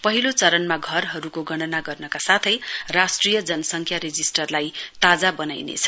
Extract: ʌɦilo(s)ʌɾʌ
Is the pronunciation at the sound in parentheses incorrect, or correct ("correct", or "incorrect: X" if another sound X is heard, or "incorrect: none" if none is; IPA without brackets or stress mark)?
incorrect: t͡s